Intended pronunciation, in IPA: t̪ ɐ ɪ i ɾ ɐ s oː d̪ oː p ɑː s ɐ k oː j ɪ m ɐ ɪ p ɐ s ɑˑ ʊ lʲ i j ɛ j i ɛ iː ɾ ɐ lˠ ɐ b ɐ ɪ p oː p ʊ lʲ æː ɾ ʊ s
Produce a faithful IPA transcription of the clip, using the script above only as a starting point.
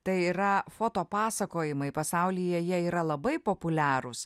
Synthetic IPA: t̪ ɐ ɪ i ɾ ɐ f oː t̪ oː p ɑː s ɐ k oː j ɪ m ɐ ɪ p ɐ s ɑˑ ʊ lʲ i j ɛ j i ɛ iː ɾ ɐ lˠ ɐ b ɐ ɪ p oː p ʊ lʲ æː ɾ ʊ s